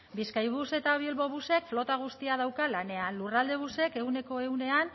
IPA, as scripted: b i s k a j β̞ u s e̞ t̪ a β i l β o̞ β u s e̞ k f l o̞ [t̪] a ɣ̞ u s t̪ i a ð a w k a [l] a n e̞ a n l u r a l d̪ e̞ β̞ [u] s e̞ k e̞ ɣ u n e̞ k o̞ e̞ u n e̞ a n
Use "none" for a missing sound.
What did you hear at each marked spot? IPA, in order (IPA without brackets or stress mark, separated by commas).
t̪, l, u